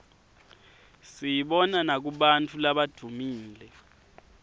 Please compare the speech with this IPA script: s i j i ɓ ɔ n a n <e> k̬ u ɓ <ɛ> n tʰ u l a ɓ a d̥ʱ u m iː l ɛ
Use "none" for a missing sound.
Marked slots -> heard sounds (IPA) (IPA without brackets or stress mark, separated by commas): a, a